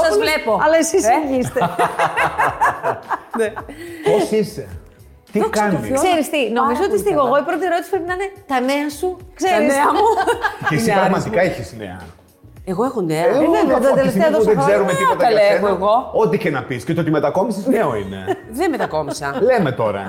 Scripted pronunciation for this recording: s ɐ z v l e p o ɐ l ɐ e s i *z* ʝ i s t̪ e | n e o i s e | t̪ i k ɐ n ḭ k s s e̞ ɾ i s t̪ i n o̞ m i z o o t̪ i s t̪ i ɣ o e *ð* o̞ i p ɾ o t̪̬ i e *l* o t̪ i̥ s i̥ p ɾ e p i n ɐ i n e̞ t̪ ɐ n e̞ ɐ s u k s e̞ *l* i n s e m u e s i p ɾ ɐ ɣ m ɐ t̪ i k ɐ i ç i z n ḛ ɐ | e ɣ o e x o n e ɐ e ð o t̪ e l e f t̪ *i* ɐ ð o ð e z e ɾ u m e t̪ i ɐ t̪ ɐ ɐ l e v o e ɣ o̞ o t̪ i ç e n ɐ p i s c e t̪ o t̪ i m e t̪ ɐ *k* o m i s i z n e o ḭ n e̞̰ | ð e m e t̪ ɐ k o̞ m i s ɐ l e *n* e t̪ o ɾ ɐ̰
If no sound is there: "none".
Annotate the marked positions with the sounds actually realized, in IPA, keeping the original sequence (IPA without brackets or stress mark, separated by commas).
s, ɣ, ɾ, ɾ, e, k, m